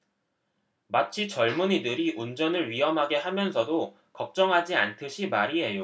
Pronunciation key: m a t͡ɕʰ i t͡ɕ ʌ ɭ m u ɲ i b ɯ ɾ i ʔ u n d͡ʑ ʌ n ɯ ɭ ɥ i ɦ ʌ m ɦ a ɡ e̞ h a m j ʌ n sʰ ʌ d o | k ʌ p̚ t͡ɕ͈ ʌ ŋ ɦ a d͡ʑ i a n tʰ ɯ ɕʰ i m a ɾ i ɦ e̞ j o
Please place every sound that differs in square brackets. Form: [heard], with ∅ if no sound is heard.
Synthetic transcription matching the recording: m a t͡ɕʰ i t͡ɕ ʌ ɭ m u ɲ i [d] ɯ ɾ i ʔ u n d͡ʑ ʌ n ɯ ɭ ɥ i ɦ ʌ m ɦ a ɡ e̞ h a m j ʌ n sʰ ʌ d o | k ʌ p̚ t͡ɕ͈ ʌ ŋ ɦ a d͡ʑ i a n tʰ ɯ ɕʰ i m a ɾ i ɦ e̞ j o